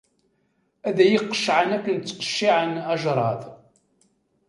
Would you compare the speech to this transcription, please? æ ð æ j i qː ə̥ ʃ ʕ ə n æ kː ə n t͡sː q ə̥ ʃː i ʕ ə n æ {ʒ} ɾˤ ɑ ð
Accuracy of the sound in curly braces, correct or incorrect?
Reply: correct